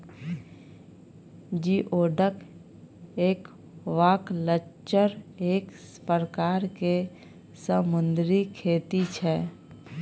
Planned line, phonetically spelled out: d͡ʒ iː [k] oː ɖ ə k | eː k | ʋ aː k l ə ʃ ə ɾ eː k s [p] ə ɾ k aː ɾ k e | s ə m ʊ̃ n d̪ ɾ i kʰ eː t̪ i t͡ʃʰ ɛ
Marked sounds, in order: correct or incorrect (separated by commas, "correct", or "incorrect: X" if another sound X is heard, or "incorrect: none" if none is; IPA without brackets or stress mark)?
incorrect: ʔ, correct